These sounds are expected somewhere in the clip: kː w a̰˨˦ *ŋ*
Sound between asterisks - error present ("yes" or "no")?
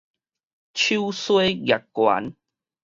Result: yes